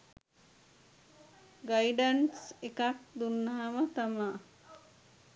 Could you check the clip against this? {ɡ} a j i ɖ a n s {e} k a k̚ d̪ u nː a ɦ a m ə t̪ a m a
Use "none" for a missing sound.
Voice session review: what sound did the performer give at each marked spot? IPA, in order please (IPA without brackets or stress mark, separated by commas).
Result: ɡ, e